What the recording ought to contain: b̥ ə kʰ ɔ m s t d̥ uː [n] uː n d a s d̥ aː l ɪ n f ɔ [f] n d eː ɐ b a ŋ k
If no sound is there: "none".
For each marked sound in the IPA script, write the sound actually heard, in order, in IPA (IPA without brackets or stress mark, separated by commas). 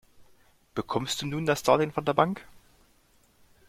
n, none